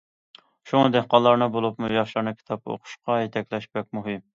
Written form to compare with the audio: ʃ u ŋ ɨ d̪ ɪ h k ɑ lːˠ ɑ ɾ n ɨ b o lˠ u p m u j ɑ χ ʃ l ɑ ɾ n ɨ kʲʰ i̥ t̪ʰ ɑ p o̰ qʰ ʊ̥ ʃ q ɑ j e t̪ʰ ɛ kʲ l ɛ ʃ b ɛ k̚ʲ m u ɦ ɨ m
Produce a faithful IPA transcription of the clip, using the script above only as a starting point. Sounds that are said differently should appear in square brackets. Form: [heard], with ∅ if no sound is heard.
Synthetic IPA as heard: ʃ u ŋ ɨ d̪ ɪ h [q] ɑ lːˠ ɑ ɾ n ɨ b o lˠ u p m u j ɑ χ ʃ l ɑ ɾ n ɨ kʲʰ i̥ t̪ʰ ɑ p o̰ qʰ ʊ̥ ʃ q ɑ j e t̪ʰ ɛ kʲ l ɛ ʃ b ɛ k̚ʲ m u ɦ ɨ m